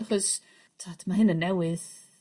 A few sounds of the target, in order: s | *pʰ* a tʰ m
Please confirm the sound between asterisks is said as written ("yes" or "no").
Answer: no